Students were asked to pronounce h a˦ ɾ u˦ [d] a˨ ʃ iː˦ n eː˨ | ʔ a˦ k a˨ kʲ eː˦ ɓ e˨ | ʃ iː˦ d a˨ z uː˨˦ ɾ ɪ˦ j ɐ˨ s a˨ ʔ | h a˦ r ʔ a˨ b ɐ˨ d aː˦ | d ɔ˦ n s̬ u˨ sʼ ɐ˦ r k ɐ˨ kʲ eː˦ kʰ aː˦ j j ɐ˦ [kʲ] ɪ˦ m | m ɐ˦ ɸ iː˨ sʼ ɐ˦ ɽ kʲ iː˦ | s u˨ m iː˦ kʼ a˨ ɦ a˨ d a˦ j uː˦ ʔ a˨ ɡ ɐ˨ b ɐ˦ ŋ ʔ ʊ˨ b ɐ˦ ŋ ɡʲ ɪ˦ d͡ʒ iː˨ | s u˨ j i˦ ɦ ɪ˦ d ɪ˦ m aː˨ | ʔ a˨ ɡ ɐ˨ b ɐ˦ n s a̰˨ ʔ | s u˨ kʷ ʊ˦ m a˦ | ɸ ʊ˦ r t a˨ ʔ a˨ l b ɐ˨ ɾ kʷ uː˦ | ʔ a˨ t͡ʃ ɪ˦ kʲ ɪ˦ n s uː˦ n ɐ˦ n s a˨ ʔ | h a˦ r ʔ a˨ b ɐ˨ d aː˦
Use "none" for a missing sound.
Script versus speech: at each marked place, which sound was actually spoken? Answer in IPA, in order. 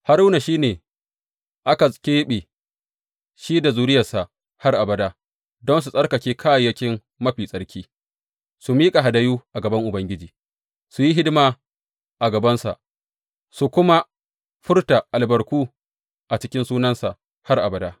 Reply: n, kʲ

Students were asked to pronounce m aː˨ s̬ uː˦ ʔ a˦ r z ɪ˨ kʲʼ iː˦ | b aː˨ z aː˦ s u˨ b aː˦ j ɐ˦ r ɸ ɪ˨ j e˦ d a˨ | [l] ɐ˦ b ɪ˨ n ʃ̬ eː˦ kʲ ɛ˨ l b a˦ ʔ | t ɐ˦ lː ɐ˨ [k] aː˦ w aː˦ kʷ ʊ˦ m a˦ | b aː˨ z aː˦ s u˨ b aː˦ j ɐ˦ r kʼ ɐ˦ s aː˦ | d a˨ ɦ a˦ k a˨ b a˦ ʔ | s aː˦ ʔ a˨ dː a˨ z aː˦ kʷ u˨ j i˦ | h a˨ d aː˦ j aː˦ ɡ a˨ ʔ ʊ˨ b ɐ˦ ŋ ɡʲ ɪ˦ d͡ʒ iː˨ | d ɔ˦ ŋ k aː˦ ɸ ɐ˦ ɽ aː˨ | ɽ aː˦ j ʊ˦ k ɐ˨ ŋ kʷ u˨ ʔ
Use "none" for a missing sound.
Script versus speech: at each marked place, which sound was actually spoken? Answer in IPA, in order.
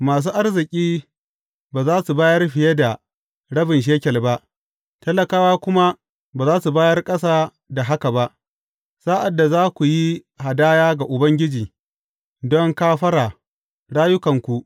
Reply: ɽ, k

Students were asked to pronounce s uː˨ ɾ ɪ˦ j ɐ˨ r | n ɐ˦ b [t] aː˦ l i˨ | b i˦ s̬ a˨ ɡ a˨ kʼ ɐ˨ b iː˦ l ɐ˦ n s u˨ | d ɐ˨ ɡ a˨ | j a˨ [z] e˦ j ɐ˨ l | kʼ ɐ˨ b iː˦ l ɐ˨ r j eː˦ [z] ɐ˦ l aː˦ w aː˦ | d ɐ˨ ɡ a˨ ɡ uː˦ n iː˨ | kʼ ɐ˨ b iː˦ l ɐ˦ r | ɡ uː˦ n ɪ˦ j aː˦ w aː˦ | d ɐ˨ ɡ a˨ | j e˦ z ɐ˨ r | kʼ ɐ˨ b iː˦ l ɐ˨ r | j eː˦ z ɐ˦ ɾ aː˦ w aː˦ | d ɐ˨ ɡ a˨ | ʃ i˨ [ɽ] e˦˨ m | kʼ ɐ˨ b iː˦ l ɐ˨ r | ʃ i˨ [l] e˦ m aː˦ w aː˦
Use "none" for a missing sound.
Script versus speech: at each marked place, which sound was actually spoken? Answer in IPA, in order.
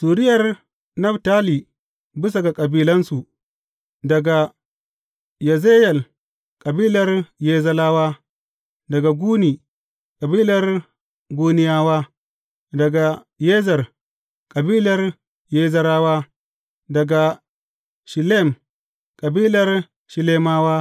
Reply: t, z, z, l, l

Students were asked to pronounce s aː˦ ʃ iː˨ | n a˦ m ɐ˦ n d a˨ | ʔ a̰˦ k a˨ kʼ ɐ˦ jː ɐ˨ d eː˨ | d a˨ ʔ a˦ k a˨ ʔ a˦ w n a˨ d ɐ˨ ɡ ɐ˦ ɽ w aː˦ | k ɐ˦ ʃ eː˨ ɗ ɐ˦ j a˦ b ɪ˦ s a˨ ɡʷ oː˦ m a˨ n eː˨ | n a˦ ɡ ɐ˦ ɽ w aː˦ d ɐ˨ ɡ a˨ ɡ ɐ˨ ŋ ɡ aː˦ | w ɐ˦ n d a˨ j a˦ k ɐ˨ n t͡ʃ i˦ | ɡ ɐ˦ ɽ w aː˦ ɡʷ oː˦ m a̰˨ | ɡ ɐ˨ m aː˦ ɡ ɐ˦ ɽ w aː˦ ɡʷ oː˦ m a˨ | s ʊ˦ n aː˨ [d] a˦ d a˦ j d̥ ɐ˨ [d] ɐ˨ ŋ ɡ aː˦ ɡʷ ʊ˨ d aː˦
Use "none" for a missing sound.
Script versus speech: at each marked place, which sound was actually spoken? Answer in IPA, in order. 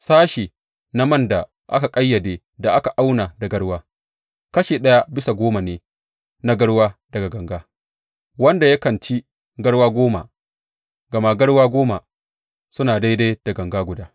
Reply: d, ɡ

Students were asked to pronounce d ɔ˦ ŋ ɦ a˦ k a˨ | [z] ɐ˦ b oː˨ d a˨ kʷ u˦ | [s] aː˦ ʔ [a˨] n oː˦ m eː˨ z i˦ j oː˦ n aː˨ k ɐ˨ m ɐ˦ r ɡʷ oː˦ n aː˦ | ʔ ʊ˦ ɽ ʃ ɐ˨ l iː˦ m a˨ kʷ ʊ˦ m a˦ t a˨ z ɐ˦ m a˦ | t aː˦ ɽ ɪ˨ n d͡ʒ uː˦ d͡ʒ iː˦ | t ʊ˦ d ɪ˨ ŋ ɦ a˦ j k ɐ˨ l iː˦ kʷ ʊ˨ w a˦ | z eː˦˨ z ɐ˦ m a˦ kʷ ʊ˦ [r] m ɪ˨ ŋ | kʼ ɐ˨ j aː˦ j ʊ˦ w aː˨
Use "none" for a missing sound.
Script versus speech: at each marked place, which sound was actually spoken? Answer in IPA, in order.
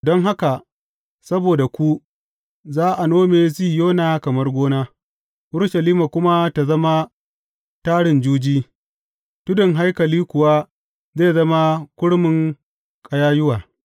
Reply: s, z, a˨, ɽ

